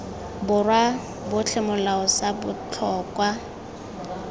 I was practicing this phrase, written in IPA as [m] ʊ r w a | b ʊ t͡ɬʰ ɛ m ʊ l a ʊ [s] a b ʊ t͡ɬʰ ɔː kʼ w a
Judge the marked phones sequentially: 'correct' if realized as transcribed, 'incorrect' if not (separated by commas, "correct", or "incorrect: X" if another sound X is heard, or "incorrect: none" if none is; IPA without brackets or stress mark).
incorrect: b, correct